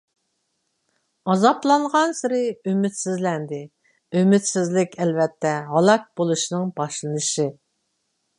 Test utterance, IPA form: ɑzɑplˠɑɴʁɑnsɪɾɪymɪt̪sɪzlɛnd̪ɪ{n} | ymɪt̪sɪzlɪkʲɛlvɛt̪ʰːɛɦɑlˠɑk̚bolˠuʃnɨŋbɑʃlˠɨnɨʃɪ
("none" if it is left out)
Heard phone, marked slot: none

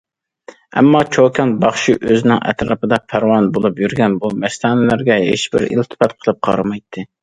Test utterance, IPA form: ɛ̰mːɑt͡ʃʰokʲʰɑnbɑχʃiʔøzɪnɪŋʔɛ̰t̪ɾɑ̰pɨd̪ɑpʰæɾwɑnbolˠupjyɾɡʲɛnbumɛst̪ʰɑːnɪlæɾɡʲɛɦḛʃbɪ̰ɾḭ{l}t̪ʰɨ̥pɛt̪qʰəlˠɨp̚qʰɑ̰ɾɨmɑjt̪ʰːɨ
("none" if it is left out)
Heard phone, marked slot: l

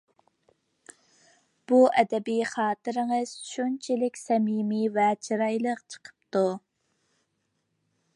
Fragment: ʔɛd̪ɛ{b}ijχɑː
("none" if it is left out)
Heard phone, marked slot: b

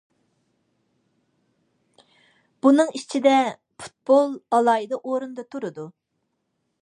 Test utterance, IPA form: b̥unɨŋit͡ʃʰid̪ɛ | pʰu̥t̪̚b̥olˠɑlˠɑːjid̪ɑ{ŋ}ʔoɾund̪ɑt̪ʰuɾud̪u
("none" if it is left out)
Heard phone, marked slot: none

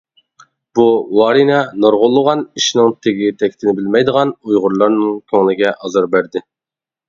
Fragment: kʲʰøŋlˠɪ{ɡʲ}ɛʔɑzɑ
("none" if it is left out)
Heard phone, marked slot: ɡʲ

